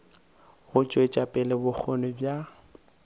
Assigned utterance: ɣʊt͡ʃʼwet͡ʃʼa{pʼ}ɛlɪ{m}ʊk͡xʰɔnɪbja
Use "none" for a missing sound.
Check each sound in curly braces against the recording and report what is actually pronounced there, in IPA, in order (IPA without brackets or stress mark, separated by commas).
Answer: pʼ, b